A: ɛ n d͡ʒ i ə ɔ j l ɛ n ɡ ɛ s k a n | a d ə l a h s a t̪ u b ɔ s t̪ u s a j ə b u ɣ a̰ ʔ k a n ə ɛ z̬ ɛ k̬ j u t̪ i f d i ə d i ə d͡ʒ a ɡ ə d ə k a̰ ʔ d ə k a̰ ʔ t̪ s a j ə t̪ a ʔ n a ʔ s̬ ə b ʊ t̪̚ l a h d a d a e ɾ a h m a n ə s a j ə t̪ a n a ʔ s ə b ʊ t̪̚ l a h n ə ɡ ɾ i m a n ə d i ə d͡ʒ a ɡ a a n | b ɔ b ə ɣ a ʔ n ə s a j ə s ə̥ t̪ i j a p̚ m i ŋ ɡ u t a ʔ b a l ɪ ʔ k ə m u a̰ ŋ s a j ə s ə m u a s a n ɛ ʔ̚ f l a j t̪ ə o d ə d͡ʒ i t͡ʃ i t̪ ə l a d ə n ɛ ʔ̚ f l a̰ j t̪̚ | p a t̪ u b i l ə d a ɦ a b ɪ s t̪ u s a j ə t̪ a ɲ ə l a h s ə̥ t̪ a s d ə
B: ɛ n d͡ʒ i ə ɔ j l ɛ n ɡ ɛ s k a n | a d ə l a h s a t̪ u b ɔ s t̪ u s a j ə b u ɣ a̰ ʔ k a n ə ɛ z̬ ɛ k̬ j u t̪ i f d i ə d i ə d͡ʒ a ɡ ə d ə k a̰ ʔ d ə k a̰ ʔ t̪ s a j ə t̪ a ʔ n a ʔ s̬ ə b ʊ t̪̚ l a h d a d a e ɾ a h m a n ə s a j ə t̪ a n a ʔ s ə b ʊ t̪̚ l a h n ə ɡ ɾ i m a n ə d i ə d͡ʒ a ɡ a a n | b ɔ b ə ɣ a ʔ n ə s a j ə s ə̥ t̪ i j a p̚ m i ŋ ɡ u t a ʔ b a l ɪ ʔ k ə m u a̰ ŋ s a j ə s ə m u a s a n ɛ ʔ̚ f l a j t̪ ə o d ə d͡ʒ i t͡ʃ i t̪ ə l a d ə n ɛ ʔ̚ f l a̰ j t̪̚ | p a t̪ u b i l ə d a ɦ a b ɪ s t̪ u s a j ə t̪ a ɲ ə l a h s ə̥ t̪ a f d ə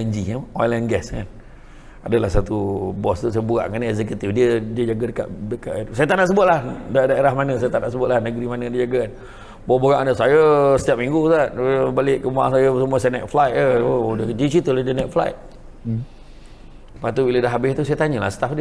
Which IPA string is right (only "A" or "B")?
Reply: B